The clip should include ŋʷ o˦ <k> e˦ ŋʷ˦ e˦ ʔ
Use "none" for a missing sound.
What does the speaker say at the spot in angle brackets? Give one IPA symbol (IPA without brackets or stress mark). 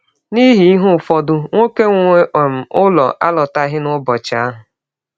k